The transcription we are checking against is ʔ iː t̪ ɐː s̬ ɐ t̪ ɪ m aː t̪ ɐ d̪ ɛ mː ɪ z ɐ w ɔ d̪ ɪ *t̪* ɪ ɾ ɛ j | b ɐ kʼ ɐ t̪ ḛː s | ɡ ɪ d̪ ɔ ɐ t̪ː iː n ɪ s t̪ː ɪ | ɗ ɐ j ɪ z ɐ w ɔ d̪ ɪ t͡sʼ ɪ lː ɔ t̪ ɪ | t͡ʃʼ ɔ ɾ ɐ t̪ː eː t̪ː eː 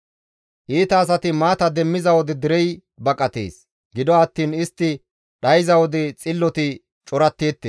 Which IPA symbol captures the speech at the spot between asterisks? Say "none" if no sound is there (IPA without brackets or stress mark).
d̪